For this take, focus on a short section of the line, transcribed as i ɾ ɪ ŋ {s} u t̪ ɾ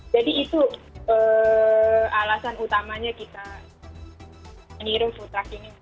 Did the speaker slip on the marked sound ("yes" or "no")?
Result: yes